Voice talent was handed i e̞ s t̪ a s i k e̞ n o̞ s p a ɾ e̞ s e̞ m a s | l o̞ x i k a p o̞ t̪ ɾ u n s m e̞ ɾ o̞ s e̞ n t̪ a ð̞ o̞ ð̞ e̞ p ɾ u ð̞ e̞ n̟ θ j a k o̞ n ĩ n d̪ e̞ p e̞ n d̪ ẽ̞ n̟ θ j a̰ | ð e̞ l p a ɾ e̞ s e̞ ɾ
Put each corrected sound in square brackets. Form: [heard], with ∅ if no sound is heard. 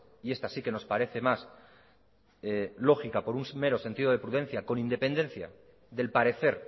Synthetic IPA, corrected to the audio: i e̞ s t̪ a s i k e̞ n o̞ s p a ɾ e̞ [θ] e̞ m a s | l o̞ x i k a p o̞ [∅] ɾ u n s m e̞ ɾ o̞ s e̞ n t̪ [i] ð̞ o̞ ð̞ e̞ p ɾ u ð̞ e̞ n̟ θ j a k o̞ n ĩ n d̪ e̞ p e̞ n d̪ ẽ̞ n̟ θ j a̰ | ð e̞ l p a ɾ e̞ [θ] e̞ ɾ